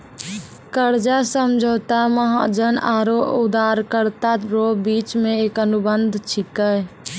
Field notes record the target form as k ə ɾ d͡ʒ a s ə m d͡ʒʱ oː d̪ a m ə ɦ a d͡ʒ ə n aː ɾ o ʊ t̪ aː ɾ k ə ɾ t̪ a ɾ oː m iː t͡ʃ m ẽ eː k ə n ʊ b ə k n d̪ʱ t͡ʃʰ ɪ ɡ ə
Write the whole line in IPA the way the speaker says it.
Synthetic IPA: k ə ɾ d͡ʒ a s ə m d͡ʒʱ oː t̪ a m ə ɦ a d͡ʒ ə n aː ɾ o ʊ d̪ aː ɾ k ə ɾ t̪ a ɾ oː b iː t͡ʃ m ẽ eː k ə n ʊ b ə n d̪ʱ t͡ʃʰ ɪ k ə